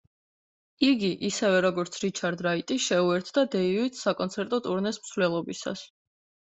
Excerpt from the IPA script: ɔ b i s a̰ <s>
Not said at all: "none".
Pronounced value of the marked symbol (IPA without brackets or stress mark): s